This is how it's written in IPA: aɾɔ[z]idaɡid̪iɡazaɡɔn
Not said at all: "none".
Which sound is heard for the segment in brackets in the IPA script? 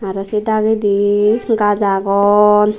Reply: s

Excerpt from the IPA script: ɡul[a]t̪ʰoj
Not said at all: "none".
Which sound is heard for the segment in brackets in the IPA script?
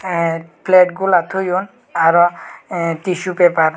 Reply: a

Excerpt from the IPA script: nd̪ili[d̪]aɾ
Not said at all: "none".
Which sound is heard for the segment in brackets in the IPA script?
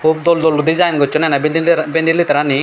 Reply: t̪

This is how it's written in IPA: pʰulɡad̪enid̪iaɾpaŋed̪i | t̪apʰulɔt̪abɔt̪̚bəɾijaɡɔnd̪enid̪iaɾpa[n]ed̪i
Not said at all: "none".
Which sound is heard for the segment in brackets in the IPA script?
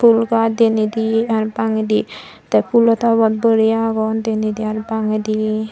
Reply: ŋ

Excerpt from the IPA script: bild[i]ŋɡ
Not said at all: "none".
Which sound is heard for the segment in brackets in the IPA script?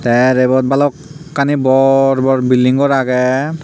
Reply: i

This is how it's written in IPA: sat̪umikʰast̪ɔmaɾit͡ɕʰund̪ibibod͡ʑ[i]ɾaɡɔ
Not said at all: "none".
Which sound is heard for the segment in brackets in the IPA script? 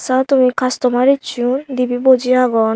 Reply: i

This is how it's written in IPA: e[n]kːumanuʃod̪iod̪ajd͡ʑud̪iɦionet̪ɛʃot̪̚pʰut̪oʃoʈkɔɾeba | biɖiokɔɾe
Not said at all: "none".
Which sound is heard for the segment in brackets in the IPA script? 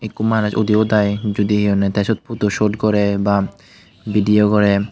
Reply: none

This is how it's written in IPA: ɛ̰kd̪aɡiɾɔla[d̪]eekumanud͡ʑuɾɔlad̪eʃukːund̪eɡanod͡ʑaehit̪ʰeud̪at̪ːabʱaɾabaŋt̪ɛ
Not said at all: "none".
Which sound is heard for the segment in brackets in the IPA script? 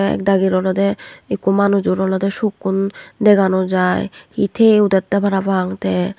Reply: d̪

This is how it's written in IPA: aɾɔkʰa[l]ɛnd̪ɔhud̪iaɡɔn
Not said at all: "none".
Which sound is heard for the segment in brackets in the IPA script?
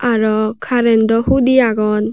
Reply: ɾ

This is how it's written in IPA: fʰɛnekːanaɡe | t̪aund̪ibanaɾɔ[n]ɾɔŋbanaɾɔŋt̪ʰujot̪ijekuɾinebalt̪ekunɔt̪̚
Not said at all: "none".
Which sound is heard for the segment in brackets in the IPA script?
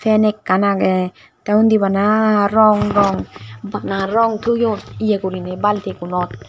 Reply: ŋ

